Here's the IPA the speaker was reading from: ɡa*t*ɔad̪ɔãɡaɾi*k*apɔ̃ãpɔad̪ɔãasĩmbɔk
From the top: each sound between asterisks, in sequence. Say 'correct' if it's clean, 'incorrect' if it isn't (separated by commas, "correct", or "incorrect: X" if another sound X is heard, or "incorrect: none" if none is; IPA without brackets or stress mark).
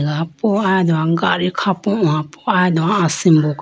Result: incorrect: p, incorrect: kʰ